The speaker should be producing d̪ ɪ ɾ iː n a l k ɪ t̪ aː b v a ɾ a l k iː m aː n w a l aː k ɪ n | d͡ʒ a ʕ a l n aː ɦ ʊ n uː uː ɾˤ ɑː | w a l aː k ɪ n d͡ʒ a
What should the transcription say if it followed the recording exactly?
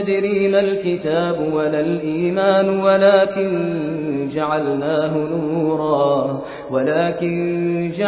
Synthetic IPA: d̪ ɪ ɾ iː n a l k ɪ t̪ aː b w a l a l ʔ iː m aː n w a l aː k ɪ n | d͡ʒ a ʕ a l n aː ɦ ʊ n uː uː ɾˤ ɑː | w a l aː k ɪ n d͡ʒ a